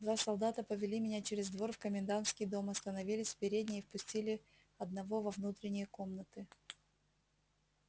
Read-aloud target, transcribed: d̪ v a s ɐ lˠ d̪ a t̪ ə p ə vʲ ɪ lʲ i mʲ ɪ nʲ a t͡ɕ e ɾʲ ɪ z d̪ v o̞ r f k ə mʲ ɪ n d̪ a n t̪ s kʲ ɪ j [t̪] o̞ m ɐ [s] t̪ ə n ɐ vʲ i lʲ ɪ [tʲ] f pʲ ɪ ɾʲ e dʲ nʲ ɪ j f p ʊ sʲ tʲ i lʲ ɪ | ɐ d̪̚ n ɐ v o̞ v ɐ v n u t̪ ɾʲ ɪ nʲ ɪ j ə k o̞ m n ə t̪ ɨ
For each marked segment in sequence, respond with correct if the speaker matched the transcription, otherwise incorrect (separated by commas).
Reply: incorrect, correct, incorrect